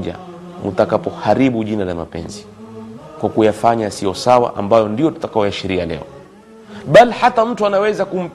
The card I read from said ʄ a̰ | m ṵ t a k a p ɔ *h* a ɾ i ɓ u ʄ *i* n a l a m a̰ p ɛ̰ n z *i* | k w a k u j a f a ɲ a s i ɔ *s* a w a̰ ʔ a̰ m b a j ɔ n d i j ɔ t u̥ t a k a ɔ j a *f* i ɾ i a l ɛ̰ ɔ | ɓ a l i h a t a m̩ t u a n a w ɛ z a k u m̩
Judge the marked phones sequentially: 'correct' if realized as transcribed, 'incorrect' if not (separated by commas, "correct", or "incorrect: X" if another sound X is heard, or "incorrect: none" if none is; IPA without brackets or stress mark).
correct, correct, correct, correct, incorrect: ʃ